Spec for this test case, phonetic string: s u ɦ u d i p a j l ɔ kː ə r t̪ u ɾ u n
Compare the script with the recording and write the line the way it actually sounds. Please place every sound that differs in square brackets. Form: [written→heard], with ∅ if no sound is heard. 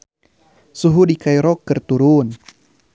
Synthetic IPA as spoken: s u ɦ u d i [p→k] a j [l→ɾ] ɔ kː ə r t̪ u ɾ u n

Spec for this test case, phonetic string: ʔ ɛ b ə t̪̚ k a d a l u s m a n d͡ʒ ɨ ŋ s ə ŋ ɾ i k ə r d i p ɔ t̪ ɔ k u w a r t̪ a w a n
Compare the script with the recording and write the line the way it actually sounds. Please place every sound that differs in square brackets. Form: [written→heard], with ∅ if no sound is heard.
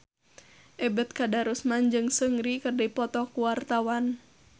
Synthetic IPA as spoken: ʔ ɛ b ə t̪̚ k a d a [l→ɾ] u s m a n d͡ʒ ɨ ŋ s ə ŋ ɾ i k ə r d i p ɔ t̪ ɔ k u w a r t̪ a w a n

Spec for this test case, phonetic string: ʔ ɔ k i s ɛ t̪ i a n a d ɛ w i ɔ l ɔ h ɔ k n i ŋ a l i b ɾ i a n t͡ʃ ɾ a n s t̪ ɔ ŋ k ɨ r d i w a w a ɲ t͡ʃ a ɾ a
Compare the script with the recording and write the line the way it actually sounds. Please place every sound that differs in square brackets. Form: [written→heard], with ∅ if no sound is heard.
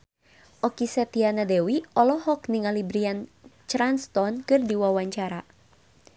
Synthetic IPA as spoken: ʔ ɔ k i s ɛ t̪ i a n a d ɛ w i ɔ l ɔ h ɔ k n i ŋ a l i b ɾ i a n t͡ʃ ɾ a n s t̪ ɔ [ŋ→n] k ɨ r d i w a w a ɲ t͡ʃ a ɾ a

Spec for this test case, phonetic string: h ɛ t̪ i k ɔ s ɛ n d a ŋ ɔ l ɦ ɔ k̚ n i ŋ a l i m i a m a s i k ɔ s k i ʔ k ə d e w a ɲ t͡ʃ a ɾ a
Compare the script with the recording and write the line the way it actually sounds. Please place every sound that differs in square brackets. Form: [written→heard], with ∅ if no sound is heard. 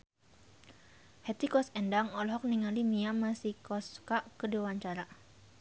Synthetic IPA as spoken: h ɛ t̪ i k ɔ s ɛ n d a ŋ ɔ l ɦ ɔ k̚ n i ŋ a l i m i a m a s i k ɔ s k [i→a] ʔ k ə d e w a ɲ t͡ʃ a ɾ a

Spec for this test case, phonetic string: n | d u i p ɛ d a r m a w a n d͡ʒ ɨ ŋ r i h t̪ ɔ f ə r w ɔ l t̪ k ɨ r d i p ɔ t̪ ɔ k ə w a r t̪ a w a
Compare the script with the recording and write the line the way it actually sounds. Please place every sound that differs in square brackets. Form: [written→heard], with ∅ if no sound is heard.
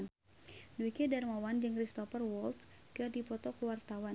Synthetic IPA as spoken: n | d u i [p→k] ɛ d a r m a w a n d͡ʒ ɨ ŋ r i [h→s] t̪ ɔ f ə r w ɔ l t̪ k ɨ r d i p ɔ t̪ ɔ k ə w a r t̪ a w a

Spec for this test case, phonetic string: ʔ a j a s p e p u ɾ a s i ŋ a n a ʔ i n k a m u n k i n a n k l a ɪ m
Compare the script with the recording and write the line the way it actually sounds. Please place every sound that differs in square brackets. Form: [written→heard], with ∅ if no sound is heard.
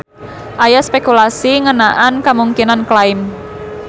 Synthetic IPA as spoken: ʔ a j a s p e [p→k] u [ɾ→l] a s i ŋ [a→ə] n a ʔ [i→a] n k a m u [n→ŋ] k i n a n k l a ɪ m

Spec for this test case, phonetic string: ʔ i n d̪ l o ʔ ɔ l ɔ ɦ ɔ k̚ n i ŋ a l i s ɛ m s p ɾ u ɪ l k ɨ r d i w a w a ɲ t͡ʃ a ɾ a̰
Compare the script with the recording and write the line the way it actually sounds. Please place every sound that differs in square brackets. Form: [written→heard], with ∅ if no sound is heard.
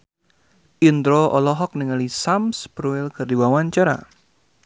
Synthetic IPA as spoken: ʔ i n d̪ [l→ɾ] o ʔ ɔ l ɔ ɦ ɔ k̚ n i ŋ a l i s [ɛ→a] m s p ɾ u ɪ l k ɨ r d i w a w a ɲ t͡ʃ a ɾ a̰

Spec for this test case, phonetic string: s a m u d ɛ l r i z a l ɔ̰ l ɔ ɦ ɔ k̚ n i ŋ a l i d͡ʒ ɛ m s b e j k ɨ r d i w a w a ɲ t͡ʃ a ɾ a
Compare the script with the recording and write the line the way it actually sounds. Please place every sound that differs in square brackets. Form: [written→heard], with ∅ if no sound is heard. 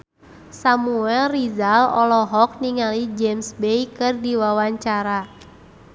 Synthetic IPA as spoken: s a m u [d→∅] ɛ l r i z a l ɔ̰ l ɔ ɦ ɔ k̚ n i ŋ a l i d͡ʒ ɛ m s b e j k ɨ r d i w a w a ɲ t͡ʃ a ɾ a

